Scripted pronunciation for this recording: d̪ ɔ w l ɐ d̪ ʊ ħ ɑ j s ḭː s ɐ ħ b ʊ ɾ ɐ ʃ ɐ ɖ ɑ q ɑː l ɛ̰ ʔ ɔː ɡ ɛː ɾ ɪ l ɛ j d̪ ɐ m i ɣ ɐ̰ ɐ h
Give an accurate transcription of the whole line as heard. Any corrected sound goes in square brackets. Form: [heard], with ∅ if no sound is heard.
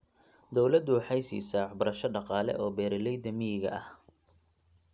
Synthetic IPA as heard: d̪ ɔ w l ɐ d̪ ʊ ħ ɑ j s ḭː s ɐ ħ b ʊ ɾ ɐ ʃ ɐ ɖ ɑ q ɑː l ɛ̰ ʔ ɔː [b] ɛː ɾ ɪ l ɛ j d̪ ɐ m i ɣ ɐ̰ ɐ h